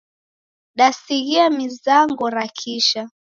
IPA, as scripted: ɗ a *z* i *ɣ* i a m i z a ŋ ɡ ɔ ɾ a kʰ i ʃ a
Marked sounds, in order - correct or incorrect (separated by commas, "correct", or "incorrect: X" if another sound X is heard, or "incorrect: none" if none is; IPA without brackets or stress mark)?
incorrect: s, correct